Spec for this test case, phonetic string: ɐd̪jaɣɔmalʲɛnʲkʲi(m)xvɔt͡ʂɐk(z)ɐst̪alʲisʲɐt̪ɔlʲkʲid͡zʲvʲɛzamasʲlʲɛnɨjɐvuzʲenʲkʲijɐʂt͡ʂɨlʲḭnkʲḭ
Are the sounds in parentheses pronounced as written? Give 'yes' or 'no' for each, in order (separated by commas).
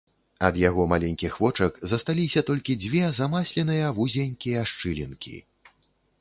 no, yes